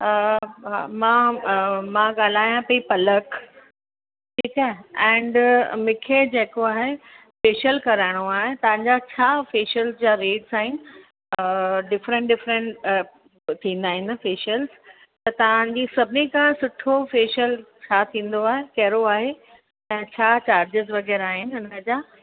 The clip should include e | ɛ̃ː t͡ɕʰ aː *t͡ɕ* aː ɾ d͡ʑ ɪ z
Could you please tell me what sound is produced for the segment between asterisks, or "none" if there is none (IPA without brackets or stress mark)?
t͡ɕ